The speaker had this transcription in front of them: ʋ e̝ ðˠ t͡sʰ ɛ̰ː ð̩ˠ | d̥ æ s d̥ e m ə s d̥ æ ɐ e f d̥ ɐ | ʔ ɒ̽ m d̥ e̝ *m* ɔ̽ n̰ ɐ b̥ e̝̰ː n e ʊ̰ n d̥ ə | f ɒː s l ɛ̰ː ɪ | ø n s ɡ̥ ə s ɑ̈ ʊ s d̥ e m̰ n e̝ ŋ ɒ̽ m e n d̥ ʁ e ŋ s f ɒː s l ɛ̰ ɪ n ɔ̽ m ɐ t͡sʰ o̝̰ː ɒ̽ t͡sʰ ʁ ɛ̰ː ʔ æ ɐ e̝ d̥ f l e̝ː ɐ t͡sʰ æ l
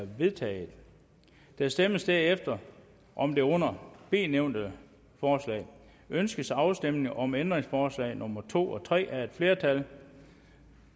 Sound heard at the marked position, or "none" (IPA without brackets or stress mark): none